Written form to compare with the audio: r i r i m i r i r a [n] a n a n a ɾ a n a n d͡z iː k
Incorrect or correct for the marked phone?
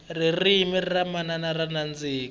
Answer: incorrect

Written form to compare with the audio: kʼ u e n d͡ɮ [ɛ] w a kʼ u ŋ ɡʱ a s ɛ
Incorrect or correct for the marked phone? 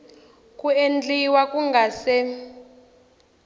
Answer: incorrect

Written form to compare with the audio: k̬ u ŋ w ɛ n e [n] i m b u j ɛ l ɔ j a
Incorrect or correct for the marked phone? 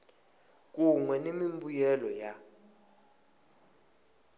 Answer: incorrect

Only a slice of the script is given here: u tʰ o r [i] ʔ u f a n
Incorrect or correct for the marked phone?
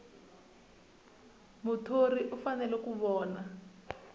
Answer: correct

